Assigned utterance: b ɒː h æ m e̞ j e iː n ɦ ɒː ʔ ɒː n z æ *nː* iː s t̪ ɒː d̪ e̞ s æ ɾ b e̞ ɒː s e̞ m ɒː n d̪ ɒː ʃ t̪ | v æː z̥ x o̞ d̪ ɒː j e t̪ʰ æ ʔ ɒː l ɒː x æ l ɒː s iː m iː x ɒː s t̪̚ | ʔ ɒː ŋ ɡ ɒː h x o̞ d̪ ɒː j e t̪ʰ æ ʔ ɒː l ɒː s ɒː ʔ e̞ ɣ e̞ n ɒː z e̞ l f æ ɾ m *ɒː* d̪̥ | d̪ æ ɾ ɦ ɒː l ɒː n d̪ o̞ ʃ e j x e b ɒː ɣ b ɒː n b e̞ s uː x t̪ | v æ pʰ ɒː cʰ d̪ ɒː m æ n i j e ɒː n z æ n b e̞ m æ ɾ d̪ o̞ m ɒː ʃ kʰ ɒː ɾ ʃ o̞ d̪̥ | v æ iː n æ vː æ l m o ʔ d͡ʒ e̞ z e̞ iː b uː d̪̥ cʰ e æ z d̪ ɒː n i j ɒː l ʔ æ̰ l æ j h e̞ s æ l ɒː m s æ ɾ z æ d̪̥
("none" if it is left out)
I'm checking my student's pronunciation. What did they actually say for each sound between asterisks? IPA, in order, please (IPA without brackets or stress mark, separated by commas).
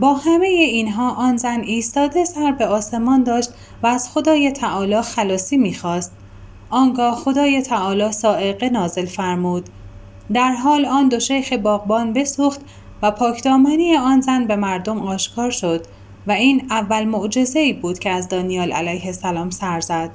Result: n, uː